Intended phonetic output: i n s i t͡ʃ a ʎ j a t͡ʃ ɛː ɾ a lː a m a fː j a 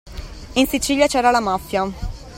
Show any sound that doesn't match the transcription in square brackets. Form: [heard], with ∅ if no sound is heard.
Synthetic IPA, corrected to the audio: i n s i t͡ʃ [i] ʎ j a t͡ʃ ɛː ɾ a [l] a m a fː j a